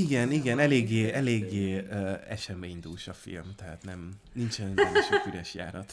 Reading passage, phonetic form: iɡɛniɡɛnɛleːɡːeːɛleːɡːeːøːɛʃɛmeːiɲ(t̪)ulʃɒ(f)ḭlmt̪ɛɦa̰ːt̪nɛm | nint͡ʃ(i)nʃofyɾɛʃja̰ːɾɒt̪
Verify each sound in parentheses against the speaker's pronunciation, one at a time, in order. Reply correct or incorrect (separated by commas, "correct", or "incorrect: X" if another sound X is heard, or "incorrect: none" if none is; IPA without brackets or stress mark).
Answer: incorrect: d̪, correct, incorrect: ɛ